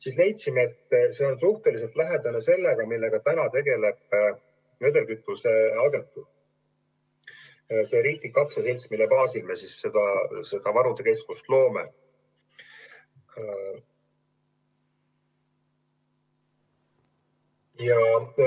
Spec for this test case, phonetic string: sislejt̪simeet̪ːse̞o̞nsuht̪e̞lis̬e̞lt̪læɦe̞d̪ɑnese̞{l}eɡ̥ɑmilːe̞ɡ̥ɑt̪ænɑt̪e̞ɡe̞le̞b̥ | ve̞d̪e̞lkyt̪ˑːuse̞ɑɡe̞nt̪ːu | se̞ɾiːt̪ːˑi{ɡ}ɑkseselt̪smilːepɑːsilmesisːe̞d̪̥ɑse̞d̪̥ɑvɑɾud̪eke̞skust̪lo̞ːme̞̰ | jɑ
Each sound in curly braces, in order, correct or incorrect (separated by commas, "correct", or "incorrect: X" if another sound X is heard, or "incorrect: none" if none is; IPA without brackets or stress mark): incorrect: lː, incorrect: k